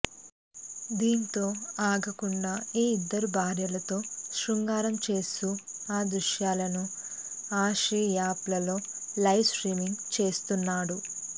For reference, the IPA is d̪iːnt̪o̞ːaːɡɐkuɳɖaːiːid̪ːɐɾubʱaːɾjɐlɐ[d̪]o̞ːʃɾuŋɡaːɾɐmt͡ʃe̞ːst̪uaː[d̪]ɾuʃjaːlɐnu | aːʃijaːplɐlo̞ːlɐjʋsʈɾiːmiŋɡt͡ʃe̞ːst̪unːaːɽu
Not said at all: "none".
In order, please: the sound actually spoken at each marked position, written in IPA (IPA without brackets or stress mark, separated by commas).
t̪, d̪